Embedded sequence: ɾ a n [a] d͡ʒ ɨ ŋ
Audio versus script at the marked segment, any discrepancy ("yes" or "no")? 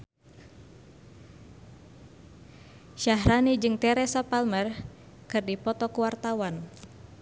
yes